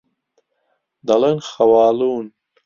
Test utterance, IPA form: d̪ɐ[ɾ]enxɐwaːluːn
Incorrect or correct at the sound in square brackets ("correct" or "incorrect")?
incorrect